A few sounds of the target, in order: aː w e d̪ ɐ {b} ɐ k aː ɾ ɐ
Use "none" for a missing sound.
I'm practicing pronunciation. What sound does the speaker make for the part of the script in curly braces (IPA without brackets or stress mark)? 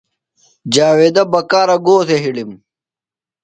b